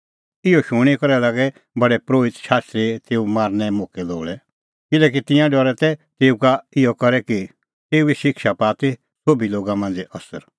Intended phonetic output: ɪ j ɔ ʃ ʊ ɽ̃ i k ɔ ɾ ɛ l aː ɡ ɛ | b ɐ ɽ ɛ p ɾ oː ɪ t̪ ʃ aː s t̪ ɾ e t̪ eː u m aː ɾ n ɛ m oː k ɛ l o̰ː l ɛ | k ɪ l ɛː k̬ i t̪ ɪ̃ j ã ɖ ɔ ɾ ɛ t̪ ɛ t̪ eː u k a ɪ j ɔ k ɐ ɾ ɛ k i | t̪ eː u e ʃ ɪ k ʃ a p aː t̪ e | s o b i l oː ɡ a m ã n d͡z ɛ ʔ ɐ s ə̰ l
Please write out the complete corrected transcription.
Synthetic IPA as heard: ɪ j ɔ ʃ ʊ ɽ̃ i k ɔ ɾ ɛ l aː ɡ ɛ | b ɐ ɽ ɛ p ɾ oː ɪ t̪ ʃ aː s t̪ ɾ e t̪ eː u m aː ɾ n ɛ m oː k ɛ l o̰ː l ɛ | k ɪ l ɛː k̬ i t̪ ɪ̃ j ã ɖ ɔ ɾ ɛ t̪ ɛ t̪ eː u k a ɪ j ɔ k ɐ ɾ ɛ k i | t̪ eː u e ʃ ɪ k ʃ a p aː t̪ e | s o b i l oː ɡ a m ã n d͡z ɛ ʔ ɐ s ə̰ ɾ